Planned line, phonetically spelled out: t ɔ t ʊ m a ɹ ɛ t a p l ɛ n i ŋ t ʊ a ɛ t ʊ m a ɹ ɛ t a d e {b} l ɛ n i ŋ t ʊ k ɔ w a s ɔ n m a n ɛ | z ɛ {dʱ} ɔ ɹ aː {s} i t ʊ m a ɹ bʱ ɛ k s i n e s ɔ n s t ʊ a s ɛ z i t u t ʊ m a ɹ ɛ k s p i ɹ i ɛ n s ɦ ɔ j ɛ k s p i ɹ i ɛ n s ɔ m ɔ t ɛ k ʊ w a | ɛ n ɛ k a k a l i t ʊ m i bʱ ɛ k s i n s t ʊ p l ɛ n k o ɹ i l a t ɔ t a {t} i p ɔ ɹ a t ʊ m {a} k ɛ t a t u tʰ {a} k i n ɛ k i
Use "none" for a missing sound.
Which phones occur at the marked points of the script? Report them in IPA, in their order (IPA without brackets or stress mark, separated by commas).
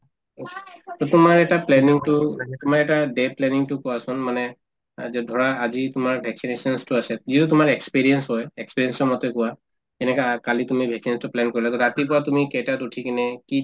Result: p, dʱ, z, t, i, i